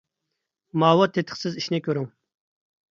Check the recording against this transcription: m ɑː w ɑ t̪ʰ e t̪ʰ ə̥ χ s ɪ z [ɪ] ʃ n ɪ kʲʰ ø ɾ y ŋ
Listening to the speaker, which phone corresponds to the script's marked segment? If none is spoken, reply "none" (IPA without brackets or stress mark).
i